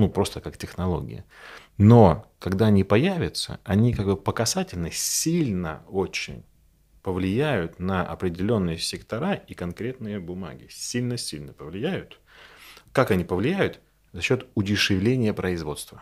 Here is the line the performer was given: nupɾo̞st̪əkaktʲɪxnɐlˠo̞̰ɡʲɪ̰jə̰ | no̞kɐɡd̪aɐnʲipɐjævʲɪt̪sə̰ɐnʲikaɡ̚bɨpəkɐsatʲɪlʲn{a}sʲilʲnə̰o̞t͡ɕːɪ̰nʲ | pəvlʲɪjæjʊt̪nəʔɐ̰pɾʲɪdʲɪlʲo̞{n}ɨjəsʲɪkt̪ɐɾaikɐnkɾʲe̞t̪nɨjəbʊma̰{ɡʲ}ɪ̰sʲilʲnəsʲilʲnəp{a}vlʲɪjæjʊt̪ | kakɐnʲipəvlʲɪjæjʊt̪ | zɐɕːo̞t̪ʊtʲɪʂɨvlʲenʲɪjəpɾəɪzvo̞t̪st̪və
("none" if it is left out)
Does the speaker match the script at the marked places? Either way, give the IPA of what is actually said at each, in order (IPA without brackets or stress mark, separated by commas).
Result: ə, nː, ɡʲ, ə